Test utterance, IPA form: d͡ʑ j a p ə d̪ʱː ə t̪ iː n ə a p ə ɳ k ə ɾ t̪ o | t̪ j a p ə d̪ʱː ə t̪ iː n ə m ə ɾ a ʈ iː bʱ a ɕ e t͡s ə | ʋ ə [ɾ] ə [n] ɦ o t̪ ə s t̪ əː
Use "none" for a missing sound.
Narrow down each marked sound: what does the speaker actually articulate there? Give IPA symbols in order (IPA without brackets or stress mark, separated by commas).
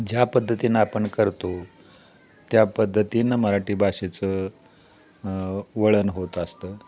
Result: ɭ, n